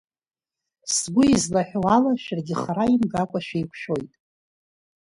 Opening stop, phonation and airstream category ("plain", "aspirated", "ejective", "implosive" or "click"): plain